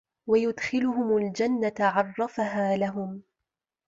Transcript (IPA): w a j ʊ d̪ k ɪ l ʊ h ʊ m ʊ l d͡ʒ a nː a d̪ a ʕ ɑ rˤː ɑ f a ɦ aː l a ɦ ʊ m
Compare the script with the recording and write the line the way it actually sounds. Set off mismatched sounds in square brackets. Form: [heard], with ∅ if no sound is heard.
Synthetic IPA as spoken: w a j ʊ d̪ [x] ɪ l ʊ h ʊ m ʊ l d͡ʒ a nː a [t̪] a ʕ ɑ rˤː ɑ f a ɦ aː l a ɦ ʊ m